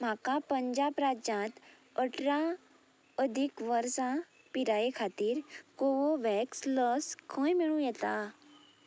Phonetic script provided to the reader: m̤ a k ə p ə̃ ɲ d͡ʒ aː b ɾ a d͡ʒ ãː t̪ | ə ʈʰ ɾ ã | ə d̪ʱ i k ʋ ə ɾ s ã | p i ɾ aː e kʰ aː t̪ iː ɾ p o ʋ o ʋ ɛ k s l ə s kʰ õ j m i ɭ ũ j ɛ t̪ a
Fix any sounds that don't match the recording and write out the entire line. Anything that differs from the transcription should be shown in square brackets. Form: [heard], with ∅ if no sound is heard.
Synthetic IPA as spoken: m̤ a k [a] p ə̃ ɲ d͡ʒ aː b ɾ a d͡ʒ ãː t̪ | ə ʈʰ ɾ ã | ə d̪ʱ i k ʋ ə ɾ s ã | p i ɾ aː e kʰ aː t̪ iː ɾ [k] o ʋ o ʋ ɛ k s l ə s kʰ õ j m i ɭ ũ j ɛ t̪ a